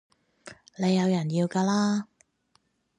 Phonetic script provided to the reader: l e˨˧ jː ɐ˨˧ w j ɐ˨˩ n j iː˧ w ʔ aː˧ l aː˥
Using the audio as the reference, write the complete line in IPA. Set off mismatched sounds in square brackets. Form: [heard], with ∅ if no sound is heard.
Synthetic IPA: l e˨˧ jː ɐ˨˧ w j ɐ˨˩ n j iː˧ w [k] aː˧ l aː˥